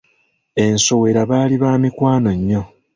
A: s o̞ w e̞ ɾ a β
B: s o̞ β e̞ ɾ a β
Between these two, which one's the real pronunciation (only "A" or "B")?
A